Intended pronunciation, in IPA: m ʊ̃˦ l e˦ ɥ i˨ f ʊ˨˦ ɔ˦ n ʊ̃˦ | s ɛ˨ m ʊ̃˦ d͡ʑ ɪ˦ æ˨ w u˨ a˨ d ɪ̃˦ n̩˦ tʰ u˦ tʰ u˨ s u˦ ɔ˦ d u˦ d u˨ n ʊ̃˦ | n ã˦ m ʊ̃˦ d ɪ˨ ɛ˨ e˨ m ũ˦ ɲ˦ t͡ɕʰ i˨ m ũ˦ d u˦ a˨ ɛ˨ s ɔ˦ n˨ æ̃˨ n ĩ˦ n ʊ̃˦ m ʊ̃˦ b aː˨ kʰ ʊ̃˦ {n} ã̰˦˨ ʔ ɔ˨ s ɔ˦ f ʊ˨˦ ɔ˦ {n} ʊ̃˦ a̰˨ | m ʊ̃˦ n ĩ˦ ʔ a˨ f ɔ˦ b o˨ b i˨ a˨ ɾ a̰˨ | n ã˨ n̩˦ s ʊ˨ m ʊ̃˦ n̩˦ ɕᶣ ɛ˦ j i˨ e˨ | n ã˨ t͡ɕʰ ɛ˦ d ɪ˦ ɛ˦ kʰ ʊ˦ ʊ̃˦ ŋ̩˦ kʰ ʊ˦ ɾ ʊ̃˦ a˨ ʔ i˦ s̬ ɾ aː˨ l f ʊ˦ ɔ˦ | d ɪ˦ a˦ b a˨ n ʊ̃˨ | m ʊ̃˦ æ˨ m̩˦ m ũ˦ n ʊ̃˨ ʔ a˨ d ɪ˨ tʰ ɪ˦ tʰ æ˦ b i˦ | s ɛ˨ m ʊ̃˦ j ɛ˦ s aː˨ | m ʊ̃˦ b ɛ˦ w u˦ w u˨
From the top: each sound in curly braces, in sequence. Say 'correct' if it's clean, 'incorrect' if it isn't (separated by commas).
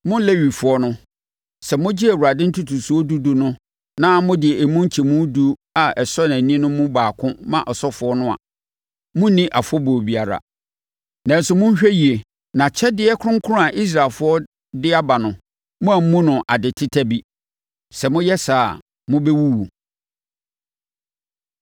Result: incorrect, correct